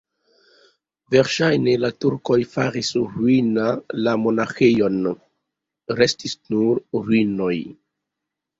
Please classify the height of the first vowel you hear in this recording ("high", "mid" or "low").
mid